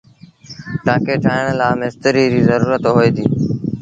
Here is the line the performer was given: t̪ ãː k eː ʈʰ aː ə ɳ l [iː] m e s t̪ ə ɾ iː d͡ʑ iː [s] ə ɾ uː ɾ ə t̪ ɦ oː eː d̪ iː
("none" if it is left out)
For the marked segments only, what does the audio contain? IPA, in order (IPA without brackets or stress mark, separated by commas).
aː, z